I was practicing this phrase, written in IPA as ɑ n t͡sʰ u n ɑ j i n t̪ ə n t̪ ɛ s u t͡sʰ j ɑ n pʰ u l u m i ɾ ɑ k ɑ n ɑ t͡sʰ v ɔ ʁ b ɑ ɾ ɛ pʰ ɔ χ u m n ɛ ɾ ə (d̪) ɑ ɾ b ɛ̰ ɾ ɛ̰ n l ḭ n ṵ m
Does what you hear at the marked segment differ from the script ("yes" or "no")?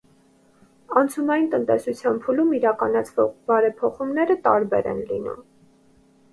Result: yes